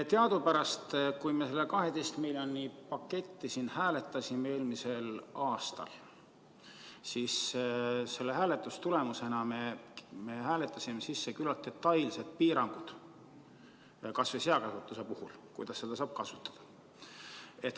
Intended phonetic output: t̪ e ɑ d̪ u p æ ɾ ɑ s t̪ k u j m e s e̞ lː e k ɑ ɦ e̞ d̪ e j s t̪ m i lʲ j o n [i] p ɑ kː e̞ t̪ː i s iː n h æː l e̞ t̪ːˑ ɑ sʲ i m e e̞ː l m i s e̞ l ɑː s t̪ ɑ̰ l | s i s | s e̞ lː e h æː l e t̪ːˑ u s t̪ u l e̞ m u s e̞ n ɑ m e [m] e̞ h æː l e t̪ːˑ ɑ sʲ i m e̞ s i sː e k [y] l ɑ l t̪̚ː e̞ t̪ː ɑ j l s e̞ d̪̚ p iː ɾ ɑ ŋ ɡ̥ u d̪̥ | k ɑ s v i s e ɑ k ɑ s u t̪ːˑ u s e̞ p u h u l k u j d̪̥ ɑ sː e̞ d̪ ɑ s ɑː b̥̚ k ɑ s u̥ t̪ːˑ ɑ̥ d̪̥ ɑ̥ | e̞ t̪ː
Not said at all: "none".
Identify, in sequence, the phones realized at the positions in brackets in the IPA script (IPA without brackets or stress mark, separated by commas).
i, m, y